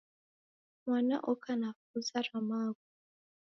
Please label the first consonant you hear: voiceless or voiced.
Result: voiced